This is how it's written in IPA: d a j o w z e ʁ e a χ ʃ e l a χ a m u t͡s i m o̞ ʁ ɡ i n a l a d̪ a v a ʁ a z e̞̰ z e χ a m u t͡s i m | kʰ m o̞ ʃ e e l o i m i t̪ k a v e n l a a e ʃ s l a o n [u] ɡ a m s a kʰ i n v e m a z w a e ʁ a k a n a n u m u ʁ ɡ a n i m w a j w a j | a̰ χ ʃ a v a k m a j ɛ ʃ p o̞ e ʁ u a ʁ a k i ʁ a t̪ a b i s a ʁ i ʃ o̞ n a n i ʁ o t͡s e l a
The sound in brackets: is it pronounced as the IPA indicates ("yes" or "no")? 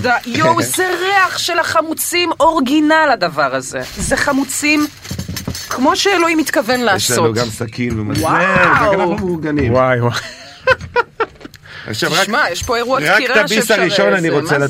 yes